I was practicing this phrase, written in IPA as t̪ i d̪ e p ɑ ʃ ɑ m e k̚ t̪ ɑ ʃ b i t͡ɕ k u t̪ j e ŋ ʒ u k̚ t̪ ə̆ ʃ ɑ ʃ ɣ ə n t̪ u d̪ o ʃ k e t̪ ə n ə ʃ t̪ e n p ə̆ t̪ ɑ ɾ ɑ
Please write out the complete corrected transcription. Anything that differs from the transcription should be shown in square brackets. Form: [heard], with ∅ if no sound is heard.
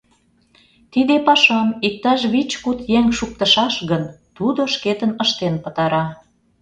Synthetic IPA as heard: t̪ i d̪ e p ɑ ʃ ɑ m [i] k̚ t̪ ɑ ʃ [β] i t͡ɕ k u t̪ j e ŋ [ʃ] u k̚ t̪ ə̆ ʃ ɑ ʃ ɣ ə n t̪ u d̪ o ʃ k e t̪ ə n ə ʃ t̪ e n p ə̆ t̪ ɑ ɾ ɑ

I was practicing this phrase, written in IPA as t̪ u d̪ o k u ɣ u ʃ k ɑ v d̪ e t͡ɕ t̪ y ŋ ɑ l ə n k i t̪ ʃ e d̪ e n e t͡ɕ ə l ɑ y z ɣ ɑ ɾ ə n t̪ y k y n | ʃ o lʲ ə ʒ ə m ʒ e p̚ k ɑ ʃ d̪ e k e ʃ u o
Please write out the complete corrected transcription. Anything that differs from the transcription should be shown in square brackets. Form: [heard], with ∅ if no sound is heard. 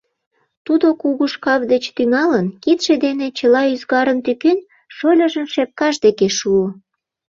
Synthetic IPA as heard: t̪ u d̪ o k u ɣ u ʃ k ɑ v d̪ e t͡ɕ t̪ y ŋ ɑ l ə n k i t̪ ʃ e d̪ e n e t͡ɕ ə l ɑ y z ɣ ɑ ɾ ə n t̪ y k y n | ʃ o lʲ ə ʒ ə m [ʃ] e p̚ k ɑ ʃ d̪ e k e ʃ u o

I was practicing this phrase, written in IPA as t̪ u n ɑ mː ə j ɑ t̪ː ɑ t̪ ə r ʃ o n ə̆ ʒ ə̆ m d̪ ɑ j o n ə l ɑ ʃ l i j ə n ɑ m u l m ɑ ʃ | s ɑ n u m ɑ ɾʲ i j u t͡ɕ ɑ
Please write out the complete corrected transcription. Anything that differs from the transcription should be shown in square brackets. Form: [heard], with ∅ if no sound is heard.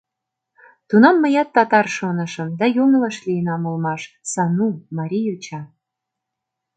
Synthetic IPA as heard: t̪ u n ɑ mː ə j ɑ t̪ː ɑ t̪ [ɑ] r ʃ o n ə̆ [ʃ] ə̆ m d̪ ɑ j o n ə l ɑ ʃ l i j ə n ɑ m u l m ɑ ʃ | s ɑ n u m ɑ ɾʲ i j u t͡ɕ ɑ

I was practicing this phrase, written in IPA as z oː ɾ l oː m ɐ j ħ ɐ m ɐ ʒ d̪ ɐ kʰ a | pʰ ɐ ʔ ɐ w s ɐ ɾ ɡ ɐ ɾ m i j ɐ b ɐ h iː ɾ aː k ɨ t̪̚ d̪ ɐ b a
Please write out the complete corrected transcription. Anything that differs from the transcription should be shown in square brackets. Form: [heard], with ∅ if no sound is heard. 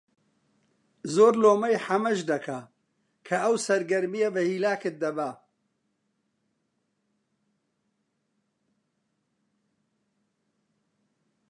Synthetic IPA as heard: z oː ɾ l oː m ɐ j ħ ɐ m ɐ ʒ d̪ ɐ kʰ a | [kʰ] ɐ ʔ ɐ w s ɐ ɾ ɡ ɐ ɾ m i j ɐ b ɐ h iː [l] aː k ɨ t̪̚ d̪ ɐ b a

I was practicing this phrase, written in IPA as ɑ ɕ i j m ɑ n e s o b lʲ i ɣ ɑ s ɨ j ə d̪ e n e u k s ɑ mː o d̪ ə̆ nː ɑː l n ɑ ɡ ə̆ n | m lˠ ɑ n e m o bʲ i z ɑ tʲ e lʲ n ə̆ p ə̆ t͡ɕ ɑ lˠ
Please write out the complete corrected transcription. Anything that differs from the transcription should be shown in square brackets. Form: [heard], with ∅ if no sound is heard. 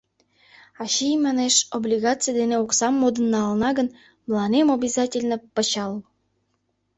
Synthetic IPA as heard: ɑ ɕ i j m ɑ n e [ʃ] o b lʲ i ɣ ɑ [t͡s] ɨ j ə d̪ e n e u k s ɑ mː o d̪ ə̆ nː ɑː l n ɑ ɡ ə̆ n | m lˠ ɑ n e m o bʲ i z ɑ tʲ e lʲ n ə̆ p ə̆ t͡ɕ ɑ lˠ

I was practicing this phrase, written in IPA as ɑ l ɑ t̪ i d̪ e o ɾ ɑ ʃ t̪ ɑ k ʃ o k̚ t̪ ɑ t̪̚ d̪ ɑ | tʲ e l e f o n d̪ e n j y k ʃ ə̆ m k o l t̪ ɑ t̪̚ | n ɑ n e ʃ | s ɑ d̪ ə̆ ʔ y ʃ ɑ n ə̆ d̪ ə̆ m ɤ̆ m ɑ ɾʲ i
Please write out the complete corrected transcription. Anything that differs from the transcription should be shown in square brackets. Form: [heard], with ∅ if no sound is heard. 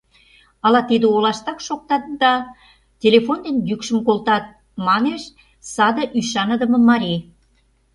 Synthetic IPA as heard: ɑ l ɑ t̪ i d̪ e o [l] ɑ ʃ t̪ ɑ k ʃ o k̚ t̪ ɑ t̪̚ d̪ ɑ | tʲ e l e f o n d̪ e n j y k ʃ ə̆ m k o l t̪ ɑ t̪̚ | [m] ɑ n e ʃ | s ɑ d̪ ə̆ ʔ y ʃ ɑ n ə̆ d̪ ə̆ m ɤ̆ m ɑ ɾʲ i

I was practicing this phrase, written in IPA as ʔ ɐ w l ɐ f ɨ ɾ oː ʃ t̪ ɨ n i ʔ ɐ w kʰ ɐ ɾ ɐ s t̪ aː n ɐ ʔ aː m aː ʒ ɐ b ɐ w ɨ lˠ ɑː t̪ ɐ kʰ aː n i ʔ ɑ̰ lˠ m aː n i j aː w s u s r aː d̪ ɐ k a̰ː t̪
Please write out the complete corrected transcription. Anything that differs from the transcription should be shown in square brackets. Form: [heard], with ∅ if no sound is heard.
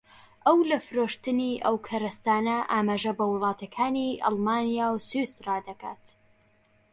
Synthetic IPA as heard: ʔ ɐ w l ɐ f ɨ ɾ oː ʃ t̪ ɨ n i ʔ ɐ w kʰ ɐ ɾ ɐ s t̪ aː n ɐ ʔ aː m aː ʒ ɐ b ɐ w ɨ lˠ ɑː t̪ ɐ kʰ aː n i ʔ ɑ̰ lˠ m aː n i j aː w s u s r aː d̪ ɐ k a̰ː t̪

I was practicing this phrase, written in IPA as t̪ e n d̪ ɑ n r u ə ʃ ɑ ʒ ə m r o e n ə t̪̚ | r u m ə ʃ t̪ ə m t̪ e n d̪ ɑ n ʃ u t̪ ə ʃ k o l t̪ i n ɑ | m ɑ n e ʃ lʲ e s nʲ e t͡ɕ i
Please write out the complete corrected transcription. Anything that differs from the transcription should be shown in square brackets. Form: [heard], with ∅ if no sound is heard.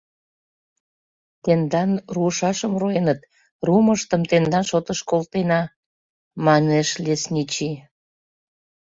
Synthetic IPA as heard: t̪ e n d̪ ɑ n r u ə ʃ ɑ [ʃ] ə m r o e n ə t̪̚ | r u m ə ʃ t̪ ə m t̪ e n d̪ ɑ n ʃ [o] t̪ ə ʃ k o l t̪ [e] n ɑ | m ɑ n e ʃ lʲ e s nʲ [i] t͡ɕ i

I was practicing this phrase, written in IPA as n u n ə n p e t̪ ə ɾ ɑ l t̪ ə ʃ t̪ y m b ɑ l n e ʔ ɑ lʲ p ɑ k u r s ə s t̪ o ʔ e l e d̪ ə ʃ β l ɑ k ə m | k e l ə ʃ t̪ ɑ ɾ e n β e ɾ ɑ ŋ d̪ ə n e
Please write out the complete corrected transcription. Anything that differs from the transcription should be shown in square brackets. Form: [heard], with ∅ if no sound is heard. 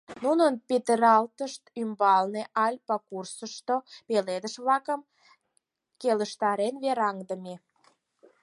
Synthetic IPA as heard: n u n ə n p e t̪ ə ɾ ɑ l t̪ ə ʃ t̪ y m b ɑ l n e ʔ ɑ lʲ p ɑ k u r s ə [ʃ] t̪ o [p] e l e d̪ ə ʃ β l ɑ k ə m | k e l ə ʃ t̪ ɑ ɾ e n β e ɾ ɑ ŋ d̪ ə [m] e

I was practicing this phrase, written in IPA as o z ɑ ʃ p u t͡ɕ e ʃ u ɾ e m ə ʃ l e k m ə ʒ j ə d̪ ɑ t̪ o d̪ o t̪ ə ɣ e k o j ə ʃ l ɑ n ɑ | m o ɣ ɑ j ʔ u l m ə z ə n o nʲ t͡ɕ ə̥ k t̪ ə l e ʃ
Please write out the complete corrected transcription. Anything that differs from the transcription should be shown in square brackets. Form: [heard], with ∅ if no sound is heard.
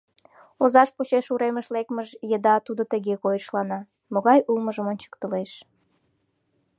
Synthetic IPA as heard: o z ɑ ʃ p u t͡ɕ e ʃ u ɾ e m ə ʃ l e k m ə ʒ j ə d̪ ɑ t̪ [u] d̪ o t̪ ə ɣ e k o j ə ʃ l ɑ n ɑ | m o ɣ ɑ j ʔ u l m ə [ʒ] ə [m] o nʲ t͡ɕ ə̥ k t̪ ə l e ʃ

